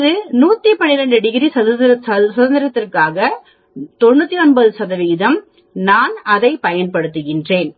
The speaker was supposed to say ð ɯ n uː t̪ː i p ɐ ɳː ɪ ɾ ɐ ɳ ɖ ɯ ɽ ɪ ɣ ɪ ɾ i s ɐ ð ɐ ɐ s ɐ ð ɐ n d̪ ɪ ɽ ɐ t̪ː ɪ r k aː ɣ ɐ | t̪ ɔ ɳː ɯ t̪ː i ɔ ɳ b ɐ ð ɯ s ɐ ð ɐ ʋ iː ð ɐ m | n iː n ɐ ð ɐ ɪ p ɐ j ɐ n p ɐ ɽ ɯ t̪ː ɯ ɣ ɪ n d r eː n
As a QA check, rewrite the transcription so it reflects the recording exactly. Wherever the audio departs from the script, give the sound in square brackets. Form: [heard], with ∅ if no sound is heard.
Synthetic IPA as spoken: ð ɯ n uː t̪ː i p ɐ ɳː ɪ ɾ ɐ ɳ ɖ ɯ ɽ ɪ ɣ ɪ ɾ i s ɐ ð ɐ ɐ s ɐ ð ɐ n d̪ ɪ [ɾ] ɐ t̪ː ɪ r k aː ɣ ɐ | t̪ ɔ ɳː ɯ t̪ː i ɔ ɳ b ɐ ð ɯ s ɐ ð ɐ ʋ iː ð ɐ m | n [aː] n ɐ ð ɐ ɪ p ɐ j ɐ n p ɐ ɽ ɯ t̪ː ɯ ɣ ɪ n d r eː n